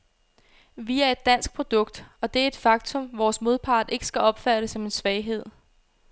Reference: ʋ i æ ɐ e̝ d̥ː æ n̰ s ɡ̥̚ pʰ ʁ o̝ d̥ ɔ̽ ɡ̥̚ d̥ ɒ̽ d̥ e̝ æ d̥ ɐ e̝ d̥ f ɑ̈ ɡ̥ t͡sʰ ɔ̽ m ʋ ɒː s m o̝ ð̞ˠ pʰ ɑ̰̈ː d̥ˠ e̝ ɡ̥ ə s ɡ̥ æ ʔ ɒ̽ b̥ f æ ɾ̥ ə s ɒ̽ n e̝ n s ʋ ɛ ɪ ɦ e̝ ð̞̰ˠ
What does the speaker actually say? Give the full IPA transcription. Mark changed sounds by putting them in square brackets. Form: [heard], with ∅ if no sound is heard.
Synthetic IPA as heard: ʋ i æ ɐ e̝ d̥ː æ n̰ s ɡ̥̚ pʰ ʁ o̝ d̥ ɔ̽ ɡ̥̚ d̥ ɒ̽ d̥ e̝ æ [∅] ɐ e̝ d̥ f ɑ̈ ɡ̥ t͡sʰ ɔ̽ m ʋ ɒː s m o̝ ð̞ˠ pʰ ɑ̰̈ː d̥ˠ e̝ ɡ̥ ə s ɡ̥ æ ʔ ɒ̽ b̥ f æ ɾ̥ ə s ɒ̽ [m] e̝ n s ʋ ɛ ɪ ɦ e̝ ð̞̰ˠ